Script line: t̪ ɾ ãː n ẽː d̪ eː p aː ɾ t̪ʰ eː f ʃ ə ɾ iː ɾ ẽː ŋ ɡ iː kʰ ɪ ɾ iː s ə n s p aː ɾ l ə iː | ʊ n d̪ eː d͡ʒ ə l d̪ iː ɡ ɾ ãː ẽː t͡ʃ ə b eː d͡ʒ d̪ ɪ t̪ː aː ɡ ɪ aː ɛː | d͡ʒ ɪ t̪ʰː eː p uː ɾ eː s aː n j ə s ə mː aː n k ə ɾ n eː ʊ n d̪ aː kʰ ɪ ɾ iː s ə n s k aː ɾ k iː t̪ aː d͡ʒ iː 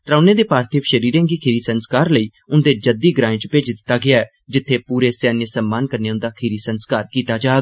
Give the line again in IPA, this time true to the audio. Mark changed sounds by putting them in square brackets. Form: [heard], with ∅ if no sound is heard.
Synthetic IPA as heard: t̪ ɾ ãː n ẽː d̪ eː p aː ɾ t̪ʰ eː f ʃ ə ɾ iː ɾ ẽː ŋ ɡ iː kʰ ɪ ɾ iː s ə n s [k] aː ɾ l ə iː | ʊ n d̪ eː d͡ʒ ə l d̪ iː ɡ ɾ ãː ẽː t͡ʃ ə [p] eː d͡ʒ d̪ ɪ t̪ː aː ɡ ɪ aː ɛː | d͡ʒ ɪ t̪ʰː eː p uː ɾ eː s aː n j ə s ə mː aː n k ə ɾ n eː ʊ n d̪ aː kʰ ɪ ɾ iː s ə n s k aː ɾ k iː t̪ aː d͡ʒ [aː]